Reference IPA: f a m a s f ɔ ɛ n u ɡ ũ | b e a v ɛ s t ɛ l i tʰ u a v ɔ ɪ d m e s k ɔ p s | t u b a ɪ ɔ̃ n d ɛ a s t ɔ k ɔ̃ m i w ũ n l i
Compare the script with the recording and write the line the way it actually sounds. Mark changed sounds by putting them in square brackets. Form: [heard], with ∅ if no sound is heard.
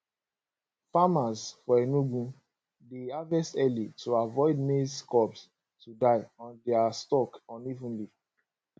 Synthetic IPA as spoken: f a m a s f ɔ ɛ n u ɡ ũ | [d] e a v ɛ s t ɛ l i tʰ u a v ɔ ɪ d m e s k ɔ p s | t u [d] a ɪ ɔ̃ n d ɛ a s t ɔ k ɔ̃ [n] i [v] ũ n l i

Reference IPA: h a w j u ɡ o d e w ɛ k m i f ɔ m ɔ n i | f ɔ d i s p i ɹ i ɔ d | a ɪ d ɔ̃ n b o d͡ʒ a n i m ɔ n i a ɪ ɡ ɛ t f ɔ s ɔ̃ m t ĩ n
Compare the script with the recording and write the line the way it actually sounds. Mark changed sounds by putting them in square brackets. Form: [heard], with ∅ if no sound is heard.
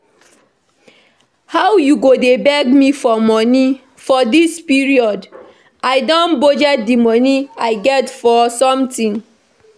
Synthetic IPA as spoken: h a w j u ɡ o d e [b] ɛ [ɡ] m i f ɔ m ɔ n i | f ɔ d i s p i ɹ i ɔ d | a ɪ d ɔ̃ n b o d͡ʒ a [d] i m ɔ n i a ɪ ɡ ɛ t f ɔ s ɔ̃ m t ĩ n

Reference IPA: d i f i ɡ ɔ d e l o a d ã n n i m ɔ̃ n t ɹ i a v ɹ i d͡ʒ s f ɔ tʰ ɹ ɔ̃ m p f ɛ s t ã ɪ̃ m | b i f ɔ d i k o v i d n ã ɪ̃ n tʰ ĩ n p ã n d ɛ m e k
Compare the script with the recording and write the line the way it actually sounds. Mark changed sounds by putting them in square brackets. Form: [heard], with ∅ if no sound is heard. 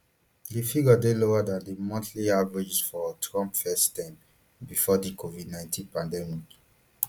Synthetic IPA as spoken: d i f i ɡ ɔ d e l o a d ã n [d] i m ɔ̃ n t [l] i a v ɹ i d͡ʒ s f ɔ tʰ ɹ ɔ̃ m p f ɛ s t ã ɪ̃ m | b i f ɔ d i k o v i d n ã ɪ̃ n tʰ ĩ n p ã n d ɛ m [i] k

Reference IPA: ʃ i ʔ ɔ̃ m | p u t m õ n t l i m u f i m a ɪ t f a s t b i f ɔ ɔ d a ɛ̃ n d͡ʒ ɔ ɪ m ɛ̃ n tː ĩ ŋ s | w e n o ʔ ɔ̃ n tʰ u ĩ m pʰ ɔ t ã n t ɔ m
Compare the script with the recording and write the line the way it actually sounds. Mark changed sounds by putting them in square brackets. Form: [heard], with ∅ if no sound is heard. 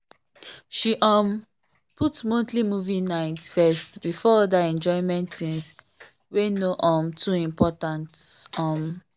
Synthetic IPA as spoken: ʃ i ʔ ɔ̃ m | p u t m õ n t l i m u [v] i [n] a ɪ t f [ɛ] s t b i f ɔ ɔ d a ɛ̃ n d͡ʒ ɔ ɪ m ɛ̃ n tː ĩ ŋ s | w e n o ʔ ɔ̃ [m] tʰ u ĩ m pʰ ɔ t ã n t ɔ m

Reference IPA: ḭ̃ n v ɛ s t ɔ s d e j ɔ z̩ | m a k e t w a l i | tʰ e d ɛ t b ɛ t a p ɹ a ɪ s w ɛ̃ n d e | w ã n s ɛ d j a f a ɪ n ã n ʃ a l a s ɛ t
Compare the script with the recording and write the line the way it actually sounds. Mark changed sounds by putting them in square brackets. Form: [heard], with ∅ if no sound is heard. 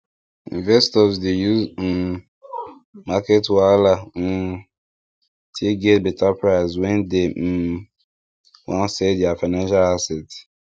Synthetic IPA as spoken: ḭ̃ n v ɛ s t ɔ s d e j [u] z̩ | m a k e t w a l [a] | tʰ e [ɡ] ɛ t b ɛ t a p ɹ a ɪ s w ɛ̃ n d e | w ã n s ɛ d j a f a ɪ n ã n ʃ a l a s ɛ t

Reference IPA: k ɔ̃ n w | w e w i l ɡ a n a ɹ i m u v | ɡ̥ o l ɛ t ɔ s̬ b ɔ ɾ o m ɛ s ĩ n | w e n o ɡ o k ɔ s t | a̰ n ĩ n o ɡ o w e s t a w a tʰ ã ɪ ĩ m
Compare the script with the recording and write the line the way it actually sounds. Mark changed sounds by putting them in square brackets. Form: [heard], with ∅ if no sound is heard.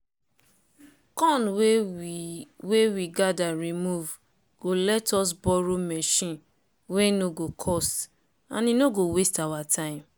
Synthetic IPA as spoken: k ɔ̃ n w | w e w i [∅] ɡ a [d] a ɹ i m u v | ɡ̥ o l ɛ t ɔ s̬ b ɔ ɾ o m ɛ [ʃ] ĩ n | w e n o ɡ o [kʰ] ɔ s t | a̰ n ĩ n o ɡ o w e s t a w a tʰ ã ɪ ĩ m

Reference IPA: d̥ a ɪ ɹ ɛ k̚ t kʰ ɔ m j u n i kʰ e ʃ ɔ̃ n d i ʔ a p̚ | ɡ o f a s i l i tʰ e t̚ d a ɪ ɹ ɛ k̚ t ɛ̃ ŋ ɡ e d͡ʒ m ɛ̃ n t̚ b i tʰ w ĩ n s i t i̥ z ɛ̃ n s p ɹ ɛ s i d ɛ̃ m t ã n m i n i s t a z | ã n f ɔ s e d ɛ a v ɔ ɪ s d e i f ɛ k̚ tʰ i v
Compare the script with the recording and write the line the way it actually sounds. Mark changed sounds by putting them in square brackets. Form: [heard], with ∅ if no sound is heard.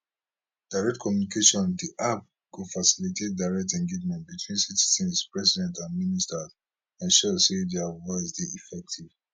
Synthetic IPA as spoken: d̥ a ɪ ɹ ɛ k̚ t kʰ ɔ m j u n i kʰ e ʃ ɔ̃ n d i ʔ a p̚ | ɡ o f a s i l i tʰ e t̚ d a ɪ ɹ ɛ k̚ t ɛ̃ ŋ ɡ e d͡ʒ m ɛ̃ n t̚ b i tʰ w ĩ n s i t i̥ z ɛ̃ n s p ɹ ɛ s i d ɛ̃ [n] t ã n m i n i s t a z | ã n [ʃ] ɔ s e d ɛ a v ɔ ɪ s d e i f ɛ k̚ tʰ i v

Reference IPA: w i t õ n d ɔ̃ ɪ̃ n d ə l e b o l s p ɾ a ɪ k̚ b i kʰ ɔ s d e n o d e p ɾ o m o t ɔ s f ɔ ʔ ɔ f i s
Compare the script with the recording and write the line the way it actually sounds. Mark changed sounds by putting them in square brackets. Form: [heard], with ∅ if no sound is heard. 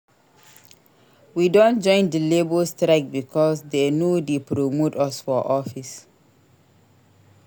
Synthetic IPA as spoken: w i [d] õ n [d͡ʒ] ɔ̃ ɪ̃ n d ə l e b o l s [t] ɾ a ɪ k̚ b i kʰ ɔ s d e n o d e p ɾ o m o t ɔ s f ɔ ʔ ɔ f i s

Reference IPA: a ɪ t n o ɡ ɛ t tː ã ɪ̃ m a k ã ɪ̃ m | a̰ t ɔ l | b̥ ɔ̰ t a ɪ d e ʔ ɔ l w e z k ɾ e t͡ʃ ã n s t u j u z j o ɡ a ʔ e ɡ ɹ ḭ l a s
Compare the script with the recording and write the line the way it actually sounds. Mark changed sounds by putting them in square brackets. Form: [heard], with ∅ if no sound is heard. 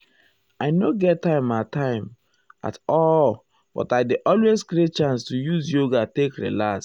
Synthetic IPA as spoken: a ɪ [∅] n o ɡ ɛ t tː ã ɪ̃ m a [t] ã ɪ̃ m | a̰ t ɔ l | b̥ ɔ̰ t a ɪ d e ʔ ɔ l w e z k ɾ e t͡ʃ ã n s t u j u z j o ɡ a [t] e [k] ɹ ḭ l a s

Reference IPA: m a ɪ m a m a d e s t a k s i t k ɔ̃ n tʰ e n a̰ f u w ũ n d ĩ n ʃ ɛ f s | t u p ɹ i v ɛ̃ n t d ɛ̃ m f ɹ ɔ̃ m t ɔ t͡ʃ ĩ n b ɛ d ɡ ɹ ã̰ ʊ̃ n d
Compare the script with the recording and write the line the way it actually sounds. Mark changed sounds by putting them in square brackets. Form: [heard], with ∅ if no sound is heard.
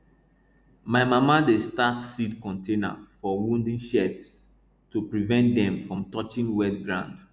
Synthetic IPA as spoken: m a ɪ m a m a d e s t a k s i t k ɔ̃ n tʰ e n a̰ f [ɔ] w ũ n d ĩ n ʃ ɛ f s | t u p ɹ i v ɛ̃ n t d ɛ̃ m f ɹ ɔ̃ m t ɔ t͡ʃ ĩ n [w] ɛ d ɡ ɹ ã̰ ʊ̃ n d

